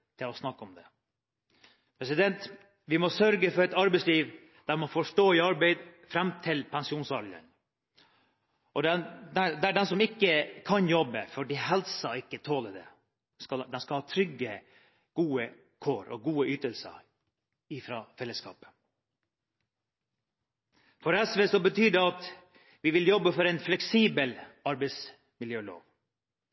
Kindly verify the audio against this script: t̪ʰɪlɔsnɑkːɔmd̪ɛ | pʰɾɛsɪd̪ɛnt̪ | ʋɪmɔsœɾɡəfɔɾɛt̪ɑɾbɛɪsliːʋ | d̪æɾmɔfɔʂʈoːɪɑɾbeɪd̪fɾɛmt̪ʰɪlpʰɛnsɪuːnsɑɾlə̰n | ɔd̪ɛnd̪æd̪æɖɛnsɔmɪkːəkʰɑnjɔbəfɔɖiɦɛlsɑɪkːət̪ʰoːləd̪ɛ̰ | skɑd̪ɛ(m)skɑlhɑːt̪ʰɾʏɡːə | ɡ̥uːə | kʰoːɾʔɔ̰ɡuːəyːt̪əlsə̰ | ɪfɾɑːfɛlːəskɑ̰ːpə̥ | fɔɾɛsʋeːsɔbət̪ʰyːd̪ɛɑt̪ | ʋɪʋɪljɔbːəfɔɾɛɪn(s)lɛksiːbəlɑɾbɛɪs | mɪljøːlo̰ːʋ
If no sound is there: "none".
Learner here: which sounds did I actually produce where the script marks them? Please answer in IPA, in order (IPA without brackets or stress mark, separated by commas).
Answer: n, f